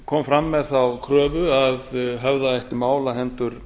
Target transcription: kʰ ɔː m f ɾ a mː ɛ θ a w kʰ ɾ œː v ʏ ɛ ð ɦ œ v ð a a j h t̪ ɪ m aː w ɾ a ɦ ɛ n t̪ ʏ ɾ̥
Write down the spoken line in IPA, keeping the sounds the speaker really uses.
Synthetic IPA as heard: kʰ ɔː m f ɾ a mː ɛ θ a w kʰ ɾ œː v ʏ a ð ɦ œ v ð a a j h t̪ ɪ m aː w l a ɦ ɛ n t̪ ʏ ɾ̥